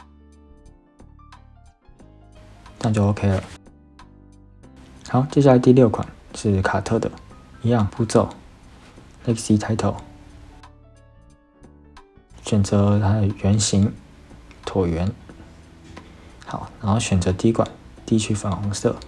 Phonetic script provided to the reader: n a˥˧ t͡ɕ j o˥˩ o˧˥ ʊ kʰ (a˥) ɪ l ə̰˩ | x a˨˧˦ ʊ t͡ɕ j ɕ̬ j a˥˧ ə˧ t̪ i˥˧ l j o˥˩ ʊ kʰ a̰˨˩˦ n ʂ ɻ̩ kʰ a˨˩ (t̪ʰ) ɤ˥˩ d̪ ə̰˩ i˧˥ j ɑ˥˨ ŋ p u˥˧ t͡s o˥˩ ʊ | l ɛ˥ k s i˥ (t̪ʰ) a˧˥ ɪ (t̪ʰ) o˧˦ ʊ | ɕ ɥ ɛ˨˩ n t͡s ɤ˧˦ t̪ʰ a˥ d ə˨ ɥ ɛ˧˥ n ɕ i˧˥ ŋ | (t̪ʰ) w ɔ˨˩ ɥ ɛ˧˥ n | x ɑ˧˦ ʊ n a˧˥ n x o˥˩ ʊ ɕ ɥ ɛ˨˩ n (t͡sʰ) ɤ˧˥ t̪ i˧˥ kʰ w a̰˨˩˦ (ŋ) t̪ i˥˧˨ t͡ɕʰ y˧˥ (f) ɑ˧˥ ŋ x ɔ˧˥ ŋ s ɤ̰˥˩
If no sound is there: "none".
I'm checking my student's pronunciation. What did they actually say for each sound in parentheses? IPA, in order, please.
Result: e˥, t̪ʰ, t̪ʰ, t̪ʰ, t̪ʰ, t͡s, n, f

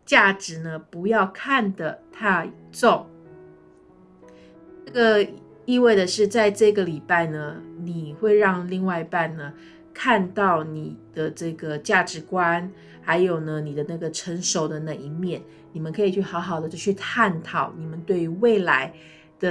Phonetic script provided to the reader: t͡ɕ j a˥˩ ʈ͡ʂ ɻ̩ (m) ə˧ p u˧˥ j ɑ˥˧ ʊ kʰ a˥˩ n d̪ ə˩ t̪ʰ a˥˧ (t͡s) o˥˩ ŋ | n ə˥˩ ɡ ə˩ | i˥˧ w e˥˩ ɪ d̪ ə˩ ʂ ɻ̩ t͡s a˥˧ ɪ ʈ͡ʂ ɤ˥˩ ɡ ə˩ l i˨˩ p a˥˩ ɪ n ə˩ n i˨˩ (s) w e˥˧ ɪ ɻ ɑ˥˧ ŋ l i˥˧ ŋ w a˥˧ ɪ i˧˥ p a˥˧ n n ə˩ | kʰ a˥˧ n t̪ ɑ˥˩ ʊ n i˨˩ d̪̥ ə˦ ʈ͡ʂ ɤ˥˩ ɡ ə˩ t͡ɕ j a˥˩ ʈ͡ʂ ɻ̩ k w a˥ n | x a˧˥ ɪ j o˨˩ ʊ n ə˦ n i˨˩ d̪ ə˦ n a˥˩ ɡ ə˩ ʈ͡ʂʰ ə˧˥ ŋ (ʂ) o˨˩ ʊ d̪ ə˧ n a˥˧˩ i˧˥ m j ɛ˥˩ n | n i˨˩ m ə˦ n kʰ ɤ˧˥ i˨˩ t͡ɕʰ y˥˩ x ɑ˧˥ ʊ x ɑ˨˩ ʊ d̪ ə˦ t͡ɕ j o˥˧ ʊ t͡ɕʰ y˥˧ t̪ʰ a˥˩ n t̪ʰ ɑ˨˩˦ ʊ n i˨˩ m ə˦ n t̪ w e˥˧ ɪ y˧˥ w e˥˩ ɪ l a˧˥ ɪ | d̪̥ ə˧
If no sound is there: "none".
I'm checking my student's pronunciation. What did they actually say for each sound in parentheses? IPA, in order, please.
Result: n, t͡s, x, ʂ

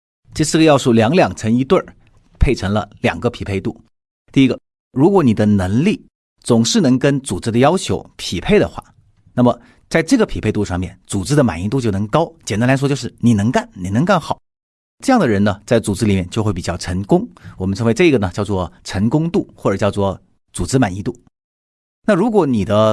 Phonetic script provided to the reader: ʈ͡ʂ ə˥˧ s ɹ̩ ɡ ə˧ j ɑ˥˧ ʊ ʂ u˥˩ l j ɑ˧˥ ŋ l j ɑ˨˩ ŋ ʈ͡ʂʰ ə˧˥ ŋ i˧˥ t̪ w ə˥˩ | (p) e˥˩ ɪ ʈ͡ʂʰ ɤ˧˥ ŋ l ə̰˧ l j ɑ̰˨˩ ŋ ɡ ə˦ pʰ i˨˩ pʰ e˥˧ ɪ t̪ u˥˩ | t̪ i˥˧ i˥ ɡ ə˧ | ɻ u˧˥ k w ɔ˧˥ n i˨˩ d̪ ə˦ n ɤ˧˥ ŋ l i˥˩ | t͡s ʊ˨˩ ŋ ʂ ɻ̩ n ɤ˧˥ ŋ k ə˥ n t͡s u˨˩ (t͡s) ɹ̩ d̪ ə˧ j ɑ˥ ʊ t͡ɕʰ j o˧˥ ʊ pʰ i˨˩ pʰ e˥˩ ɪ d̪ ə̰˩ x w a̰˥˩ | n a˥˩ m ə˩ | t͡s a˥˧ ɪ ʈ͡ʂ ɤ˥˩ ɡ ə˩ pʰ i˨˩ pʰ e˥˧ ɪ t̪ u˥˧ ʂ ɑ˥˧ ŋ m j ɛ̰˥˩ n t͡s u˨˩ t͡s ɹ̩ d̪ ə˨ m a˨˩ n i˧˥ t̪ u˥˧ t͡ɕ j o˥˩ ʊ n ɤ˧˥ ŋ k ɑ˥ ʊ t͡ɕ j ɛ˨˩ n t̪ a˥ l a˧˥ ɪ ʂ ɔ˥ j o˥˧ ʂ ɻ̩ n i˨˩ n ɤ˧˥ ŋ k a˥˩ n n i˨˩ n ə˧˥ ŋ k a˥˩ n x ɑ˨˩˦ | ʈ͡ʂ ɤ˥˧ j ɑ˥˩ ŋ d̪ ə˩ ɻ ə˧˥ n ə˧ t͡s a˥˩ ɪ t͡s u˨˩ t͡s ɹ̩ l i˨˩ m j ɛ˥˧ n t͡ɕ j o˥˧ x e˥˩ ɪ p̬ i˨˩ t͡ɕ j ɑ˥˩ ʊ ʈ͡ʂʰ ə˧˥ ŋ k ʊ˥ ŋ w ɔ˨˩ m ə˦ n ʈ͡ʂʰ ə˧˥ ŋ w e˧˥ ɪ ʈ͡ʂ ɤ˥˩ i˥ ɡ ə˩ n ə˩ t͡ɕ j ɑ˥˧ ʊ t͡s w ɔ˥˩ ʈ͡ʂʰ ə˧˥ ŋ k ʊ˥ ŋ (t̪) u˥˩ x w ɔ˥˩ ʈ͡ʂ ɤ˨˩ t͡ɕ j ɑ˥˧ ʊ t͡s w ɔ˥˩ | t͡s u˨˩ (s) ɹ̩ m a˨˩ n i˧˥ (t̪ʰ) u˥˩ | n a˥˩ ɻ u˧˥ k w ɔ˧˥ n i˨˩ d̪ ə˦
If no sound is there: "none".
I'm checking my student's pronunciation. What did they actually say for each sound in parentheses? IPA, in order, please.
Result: pʰ, t͡s, t̪, t͡s, t̪

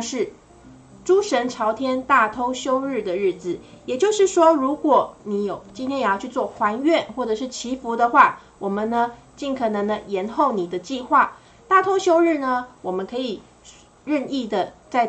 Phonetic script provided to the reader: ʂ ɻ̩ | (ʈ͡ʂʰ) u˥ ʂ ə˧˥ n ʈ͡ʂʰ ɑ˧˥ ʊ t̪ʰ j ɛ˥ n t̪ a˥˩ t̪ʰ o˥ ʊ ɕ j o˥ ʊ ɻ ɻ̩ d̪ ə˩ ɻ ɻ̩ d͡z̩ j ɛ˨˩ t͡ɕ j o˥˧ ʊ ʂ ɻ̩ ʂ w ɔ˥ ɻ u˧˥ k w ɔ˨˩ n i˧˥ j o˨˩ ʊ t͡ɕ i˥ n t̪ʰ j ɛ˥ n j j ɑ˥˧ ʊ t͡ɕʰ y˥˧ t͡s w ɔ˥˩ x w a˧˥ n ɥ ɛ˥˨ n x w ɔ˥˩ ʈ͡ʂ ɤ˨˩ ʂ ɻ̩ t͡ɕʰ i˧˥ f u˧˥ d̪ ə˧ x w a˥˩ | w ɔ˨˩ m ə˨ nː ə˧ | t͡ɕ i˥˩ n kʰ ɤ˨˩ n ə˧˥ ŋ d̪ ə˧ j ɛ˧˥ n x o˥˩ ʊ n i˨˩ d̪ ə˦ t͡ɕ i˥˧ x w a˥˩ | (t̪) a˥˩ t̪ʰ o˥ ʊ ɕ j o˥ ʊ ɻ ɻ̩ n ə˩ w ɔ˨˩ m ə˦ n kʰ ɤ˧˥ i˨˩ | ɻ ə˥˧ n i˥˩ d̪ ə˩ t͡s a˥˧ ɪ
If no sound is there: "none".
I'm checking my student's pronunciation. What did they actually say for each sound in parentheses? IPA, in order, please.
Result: ʈ͡ʂ, t̪

